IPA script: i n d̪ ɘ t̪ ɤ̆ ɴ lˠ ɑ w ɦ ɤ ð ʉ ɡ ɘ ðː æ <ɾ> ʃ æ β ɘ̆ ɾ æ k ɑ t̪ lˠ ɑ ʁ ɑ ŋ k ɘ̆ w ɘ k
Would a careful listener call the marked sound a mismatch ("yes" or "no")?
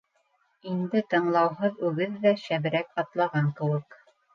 yes